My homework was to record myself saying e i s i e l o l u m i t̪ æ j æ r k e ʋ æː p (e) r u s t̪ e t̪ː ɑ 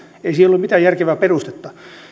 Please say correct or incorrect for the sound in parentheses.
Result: correct